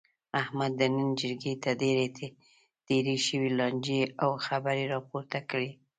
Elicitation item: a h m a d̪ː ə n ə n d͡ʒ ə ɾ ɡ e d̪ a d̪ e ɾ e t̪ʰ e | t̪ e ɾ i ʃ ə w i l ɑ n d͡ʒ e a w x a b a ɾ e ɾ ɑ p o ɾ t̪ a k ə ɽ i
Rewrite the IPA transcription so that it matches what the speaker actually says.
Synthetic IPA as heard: a h m a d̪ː ə n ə n d͡ʒ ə ɾ ɡ e t̪ a d̪ e ɾ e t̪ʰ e | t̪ e ɾ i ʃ ə w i l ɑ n d͡ʒ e a w x a b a ɾ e ɾ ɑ p o ɾ t̪ a k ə ɽ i